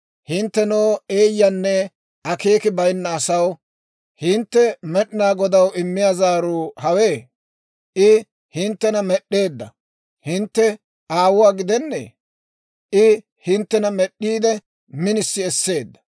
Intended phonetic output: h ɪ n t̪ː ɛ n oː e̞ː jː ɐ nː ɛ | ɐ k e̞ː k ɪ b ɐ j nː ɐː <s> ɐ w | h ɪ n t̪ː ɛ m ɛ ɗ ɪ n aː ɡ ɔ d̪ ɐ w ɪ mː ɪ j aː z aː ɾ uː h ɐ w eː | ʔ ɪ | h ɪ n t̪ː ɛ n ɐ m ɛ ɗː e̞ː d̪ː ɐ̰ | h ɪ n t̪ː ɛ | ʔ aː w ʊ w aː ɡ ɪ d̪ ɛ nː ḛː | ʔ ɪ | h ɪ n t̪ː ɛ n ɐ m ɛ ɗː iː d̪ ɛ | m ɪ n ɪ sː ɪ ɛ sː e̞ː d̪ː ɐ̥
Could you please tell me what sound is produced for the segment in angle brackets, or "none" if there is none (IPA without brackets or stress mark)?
s